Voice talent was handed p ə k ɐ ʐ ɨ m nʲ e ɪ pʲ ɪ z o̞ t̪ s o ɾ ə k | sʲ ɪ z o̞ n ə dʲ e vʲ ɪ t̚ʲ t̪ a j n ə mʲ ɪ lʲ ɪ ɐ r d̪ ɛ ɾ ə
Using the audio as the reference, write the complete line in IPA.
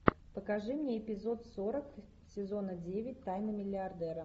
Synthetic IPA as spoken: p ə k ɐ ʐ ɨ m nʲ e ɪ pʲ ɪ z o̞ t̪ s o ɾ ə k | sʲ ɪ z o̞ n ə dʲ e vʲ ɪ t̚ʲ t̪ a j n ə mʲ ɪ lʲ ɪ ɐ r d̪ ɛ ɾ ə